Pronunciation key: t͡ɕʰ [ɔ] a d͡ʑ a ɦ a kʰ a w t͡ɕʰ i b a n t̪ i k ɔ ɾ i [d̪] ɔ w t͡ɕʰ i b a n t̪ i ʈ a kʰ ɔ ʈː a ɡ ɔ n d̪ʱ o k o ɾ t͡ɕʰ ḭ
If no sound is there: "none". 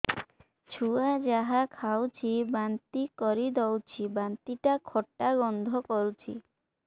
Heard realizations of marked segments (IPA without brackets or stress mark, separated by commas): u, d̪